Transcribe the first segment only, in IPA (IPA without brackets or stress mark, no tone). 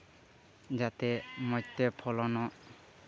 d͡ʒ